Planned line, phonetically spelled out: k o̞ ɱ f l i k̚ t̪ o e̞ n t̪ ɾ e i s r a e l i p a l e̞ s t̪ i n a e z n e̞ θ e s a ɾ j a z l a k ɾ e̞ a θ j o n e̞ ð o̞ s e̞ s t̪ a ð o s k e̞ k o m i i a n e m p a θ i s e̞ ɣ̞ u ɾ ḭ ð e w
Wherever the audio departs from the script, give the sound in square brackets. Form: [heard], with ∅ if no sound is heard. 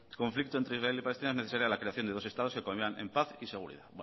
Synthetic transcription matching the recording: k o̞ ɱ f l i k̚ t̪ o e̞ n t̪ ɾ e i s r a e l i p a l e̞ s t̪ i n a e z n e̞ θ e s a ɾ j a [∅] l a k ɾ e̞ a θ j o n e̞ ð o̞ s e̞ s t̪ a ð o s k e̞ k o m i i a n e m p a θ i s e̞ ɣ̞ u ɾ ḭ ð [a] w